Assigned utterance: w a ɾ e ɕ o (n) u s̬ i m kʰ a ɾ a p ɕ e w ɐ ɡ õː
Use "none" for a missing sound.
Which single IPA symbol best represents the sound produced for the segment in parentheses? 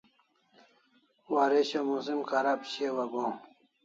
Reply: m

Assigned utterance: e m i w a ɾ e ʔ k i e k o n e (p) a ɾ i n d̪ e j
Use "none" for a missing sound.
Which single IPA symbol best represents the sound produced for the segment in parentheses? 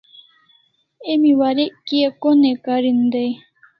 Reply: k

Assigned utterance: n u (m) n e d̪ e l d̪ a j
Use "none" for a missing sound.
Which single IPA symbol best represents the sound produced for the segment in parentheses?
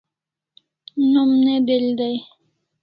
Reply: m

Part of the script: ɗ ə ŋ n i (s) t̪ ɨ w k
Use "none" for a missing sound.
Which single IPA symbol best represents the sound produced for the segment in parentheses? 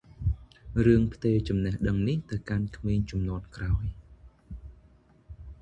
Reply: h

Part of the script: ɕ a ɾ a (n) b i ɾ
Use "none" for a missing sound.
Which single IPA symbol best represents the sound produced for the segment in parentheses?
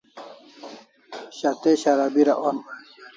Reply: none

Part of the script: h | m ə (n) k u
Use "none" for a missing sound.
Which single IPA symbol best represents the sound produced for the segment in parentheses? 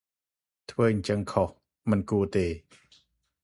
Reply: n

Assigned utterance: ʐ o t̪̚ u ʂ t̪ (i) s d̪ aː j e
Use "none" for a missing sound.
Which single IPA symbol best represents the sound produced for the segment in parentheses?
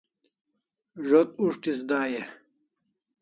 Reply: i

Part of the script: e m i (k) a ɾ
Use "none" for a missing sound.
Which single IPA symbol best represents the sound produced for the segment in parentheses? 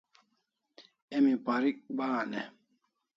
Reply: p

